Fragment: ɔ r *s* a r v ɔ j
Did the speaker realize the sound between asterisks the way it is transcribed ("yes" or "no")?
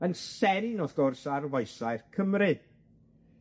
yes